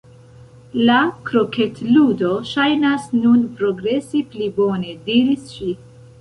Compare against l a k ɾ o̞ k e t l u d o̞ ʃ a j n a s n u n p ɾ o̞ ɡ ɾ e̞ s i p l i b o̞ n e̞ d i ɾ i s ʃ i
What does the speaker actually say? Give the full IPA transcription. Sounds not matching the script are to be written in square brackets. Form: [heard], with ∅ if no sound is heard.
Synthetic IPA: l a k ɾ o̞ k e t l u d o̞ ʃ a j n a s n u n p ɾ o̞ ɡ ɾ e̞ s i p l i b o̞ n e̞ d i ɾ i s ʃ i